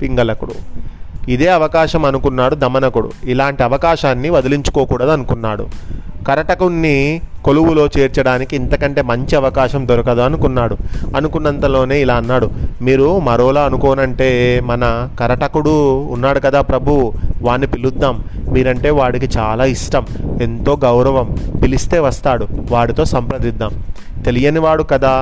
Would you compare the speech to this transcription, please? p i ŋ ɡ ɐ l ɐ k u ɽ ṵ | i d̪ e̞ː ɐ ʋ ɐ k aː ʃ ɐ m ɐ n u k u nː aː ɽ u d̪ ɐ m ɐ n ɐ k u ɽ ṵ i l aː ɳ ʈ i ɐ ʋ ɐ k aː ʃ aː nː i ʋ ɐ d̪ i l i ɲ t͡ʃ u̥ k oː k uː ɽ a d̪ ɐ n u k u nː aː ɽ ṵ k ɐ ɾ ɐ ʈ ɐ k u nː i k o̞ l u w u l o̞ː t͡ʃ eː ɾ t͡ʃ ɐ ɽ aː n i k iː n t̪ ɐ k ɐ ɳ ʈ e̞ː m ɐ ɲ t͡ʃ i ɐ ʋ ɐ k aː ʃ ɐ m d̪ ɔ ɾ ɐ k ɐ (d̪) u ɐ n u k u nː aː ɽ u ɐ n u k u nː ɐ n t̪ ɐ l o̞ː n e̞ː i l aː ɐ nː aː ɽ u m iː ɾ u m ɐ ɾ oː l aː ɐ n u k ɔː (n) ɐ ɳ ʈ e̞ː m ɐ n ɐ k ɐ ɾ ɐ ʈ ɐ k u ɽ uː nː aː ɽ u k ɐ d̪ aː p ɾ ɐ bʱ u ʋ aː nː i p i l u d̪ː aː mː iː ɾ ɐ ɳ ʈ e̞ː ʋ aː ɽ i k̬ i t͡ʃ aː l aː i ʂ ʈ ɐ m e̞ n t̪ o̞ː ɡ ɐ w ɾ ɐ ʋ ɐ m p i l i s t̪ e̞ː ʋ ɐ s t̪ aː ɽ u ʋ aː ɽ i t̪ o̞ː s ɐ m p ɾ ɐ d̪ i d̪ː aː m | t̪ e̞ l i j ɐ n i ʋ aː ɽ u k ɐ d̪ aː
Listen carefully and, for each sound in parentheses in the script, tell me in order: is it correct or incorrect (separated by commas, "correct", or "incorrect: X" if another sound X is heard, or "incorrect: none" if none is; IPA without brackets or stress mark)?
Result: correct, correct